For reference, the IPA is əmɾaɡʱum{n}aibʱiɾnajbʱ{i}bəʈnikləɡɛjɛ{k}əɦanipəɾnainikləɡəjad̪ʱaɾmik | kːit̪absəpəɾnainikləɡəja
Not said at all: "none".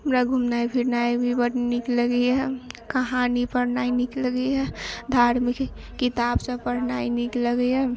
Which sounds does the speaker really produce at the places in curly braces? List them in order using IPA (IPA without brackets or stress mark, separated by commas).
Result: n, i, k